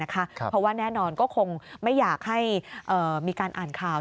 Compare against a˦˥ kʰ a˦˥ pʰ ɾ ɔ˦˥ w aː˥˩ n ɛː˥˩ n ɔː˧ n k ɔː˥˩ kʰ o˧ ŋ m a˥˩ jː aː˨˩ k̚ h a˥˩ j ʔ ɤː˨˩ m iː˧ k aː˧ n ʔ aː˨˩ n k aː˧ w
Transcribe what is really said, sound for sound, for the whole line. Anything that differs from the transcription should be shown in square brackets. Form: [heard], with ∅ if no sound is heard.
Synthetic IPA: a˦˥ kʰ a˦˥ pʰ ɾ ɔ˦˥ w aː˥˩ n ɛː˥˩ n ɔː˧ n k ɔː˥˩ kʰ o˧ ŋ m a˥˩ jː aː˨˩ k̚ h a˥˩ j ʔ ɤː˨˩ m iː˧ k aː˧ n ʔ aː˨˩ n [kʰ] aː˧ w